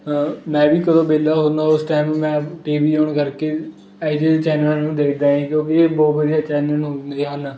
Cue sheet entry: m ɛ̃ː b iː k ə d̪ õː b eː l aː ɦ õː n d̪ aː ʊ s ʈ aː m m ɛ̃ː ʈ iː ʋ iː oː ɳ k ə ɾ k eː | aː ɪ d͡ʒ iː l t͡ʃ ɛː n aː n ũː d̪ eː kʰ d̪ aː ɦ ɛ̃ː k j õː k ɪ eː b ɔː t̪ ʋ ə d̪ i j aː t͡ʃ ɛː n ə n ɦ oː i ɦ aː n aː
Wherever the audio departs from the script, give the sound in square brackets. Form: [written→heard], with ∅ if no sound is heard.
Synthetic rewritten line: m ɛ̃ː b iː k ə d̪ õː b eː l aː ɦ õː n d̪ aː ʊ s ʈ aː m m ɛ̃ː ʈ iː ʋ iː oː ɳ k ə ɾ k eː | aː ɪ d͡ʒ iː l t͡ʃ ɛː n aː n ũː d̪ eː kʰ d̪ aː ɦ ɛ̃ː k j õː k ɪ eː b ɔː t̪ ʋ ə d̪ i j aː t͡ʃ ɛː n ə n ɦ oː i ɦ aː n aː